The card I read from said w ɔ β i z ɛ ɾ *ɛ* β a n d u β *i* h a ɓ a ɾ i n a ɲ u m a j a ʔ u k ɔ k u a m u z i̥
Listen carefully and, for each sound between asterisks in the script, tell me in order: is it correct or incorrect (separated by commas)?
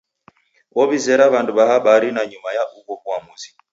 incorrect, incorrect